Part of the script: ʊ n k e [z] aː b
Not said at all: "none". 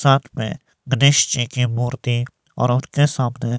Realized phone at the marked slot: s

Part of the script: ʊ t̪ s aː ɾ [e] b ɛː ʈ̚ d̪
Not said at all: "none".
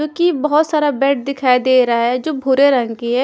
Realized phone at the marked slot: a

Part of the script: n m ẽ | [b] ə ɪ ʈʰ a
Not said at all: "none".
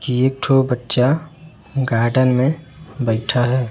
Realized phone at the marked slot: b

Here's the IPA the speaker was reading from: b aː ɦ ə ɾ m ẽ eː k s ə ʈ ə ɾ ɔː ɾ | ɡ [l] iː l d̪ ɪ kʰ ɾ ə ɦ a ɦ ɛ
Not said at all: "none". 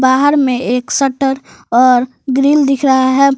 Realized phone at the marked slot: ɾ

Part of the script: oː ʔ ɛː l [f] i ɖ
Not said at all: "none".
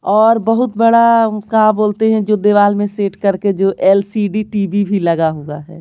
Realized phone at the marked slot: s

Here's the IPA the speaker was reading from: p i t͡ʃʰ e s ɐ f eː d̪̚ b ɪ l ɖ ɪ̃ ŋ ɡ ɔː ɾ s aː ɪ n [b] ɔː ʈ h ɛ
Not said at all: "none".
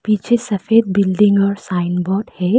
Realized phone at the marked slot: b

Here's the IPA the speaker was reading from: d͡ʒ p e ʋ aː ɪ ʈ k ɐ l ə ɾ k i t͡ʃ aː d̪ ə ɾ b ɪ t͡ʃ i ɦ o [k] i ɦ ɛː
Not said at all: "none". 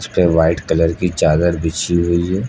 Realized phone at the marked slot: none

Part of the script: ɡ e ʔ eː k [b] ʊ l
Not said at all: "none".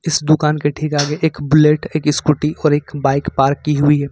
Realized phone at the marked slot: b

